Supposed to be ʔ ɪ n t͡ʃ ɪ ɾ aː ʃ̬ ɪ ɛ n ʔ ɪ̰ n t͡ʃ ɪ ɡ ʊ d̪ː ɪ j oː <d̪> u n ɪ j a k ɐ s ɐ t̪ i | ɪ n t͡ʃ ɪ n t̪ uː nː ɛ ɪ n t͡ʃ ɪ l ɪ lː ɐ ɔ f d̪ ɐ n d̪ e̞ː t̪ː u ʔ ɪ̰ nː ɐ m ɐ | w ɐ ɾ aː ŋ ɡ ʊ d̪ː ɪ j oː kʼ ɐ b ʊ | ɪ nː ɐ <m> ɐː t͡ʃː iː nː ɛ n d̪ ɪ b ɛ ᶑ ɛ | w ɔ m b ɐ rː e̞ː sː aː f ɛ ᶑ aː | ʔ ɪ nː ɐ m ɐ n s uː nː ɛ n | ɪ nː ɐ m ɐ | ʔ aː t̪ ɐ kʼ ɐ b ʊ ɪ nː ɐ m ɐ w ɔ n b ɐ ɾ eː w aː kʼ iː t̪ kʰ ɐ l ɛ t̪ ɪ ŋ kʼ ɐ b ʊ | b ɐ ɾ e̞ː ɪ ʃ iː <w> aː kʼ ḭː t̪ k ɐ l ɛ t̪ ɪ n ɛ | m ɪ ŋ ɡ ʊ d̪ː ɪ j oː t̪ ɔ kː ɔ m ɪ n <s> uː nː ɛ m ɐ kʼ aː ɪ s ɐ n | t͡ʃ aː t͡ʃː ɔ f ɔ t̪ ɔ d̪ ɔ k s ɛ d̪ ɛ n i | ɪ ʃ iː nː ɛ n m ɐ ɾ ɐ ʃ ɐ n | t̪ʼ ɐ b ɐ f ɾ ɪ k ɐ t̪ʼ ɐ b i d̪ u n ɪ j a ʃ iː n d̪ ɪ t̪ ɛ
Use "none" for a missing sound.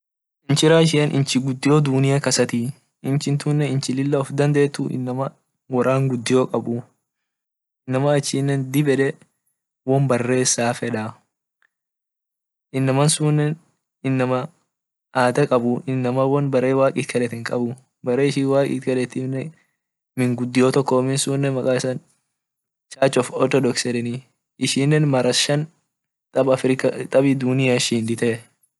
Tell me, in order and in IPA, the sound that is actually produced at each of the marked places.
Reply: d̪, m, w, s

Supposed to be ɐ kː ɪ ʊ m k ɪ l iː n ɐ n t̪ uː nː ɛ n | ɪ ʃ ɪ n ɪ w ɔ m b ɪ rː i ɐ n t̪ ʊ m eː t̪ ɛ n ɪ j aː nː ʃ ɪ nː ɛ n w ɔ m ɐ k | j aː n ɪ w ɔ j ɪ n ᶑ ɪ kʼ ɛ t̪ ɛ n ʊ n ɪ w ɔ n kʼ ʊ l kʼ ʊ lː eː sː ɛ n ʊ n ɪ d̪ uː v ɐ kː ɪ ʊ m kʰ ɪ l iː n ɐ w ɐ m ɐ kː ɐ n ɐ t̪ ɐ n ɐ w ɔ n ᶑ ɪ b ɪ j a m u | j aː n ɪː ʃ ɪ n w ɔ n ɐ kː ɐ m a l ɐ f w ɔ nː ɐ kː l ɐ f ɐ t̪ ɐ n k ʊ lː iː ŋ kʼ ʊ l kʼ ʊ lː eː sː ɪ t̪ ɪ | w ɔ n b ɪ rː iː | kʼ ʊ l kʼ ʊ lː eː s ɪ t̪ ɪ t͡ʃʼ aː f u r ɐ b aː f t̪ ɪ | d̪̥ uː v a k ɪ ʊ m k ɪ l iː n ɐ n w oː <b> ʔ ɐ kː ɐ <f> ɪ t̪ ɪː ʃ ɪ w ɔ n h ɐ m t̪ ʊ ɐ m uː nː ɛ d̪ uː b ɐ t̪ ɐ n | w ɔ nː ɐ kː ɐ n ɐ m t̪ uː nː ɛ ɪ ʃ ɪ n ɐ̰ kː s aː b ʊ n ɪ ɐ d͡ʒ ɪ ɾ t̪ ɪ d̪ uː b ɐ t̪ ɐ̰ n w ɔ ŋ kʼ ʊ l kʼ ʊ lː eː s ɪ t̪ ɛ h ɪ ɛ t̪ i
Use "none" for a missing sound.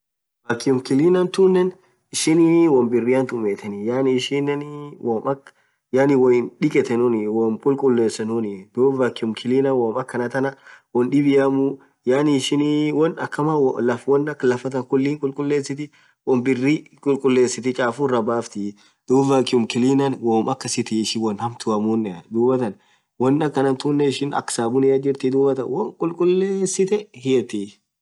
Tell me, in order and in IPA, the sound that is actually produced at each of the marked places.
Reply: m, s

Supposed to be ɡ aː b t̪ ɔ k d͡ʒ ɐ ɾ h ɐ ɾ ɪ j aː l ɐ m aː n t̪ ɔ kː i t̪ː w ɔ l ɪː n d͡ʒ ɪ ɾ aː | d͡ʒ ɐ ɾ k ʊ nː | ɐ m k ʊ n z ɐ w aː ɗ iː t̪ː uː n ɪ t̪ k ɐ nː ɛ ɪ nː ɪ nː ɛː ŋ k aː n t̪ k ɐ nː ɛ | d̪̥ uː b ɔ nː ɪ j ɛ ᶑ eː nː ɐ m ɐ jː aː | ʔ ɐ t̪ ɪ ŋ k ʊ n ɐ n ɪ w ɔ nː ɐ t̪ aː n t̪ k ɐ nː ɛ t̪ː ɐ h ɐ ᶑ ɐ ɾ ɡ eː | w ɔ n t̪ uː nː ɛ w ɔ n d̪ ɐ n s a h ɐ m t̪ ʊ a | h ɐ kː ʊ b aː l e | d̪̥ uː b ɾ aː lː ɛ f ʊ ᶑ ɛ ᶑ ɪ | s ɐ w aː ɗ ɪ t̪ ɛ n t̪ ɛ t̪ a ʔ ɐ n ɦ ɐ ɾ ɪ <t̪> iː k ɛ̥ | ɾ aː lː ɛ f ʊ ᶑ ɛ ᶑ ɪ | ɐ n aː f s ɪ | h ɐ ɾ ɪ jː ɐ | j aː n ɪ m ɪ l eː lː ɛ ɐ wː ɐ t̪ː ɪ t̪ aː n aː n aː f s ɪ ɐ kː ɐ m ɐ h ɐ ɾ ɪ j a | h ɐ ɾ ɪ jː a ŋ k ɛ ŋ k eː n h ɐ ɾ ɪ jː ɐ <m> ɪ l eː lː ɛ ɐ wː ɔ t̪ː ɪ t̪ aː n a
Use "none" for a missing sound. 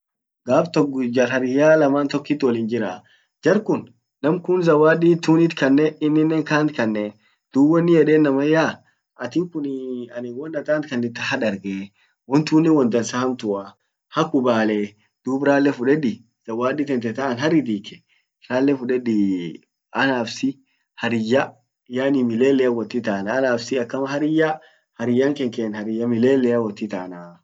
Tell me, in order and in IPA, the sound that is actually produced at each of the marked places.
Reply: d̪, m

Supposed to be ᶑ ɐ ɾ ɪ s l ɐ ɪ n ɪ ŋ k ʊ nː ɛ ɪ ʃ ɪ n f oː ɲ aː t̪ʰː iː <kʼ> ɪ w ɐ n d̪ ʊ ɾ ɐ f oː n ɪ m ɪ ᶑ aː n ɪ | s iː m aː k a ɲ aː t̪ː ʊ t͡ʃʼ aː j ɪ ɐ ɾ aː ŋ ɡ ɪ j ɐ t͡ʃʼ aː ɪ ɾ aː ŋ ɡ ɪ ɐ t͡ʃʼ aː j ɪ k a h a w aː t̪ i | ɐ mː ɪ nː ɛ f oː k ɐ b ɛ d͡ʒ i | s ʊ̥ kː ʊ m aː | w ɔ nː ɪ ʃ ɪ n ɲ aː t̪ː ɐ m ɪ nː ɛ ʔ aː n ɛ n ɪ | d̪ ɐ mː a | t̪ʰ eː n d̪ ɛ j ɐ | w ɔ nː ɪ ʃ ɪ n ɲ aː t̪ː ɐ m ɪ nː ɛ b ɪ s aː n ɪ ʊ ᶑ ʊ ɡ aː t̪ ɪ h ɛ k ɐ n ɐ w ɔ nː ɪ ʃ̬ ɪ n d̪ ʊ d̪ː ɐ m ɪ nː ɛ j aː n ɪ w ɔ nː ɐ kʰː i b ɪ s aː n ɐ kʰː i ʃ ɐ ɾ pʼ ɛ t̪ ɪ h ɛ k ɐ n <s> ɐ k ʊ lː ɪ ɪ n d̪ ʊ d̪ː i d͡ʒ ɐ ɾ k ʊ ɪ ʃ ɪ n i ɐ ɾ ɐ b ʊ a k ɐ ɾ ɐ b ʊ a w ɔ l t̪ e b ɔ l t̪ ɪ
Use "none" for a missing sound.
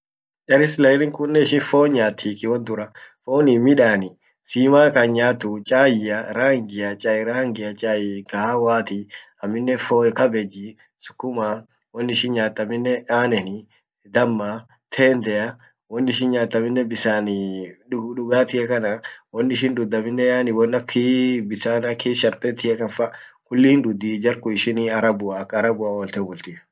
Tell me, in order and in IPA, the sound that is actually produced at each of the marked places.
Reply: k, f

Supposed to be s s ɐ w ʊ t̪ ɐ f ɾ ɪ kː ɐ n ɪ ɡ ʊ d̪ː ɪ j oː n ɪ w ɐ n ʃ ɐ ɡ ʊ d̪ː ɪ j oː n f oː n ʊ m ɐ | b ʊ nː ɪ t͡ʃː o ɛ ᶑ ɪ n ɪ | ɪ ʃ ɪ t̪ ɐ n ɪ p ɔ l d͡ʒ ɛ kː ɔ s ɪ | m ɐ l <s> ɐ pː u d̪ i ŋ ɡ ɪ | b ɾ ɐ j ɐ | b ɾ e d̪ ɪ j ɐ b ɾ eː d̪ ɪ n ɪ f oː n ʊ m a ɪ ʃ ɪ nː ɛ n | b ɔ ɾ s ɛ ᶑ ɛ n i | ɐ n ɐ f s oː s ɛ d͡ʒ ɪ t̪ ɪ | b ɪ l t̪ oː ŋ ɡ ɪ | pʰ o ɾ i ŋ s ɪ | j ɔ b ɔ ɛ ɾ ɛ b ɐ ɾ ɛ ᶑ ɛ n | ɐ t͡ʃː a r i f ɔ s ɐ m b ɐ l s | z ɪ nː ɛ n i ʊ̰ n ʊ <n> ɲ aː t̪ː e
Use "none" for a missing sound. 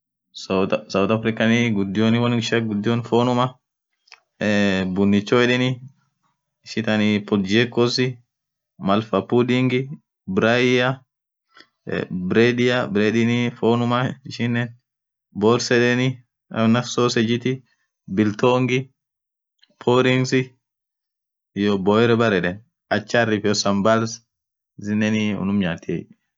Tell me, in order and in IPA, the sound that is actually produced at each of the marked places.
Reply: f, m

